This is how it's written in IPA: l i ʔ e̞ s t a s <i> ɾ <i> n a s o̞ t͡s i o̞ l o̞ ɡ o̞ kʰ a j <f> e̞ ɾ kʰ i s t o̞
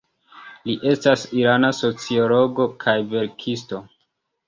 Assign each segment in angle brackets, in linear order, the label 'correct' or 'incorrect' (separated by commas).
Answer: correct, incorrect, incorrect